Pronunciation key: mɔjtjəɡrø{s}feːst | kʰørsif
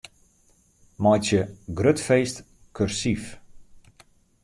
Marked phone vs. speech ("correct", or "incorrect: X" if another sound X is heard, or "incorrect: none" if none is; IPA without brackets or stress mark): incorrect: t